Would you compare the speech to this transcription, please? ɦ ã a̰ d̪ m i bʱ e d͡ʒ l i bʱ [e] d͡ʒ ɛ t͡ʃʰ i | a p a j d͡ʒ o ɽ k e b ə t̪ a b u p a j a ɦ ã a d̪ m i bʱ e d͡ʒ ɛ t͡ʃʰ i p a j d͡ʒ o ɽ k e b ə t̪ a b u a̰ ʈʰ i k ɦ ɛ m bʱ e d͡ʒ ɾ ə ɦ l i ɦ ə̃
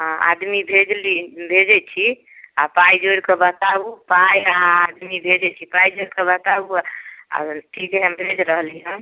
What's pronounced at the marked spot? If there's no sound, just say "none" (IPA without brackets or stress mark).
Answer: e